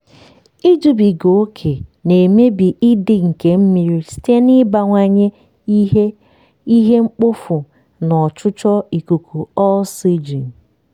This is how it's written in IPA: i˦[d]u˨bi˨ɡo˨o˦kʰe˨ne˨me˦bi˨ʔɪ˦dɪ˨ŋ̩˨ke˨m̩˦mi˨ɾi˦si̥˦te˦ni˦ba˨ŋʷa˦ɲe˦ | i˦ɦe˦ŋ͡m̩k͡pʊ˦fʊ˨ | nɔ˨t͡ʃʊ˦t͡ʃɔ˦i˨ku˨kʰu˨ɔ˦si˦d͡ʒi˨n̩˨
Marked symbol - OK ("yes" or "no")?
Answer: no